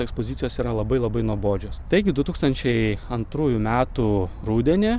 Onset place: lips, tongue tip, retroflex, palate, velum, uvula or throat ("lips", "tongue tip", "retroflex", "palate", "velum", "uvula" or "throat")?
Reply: velum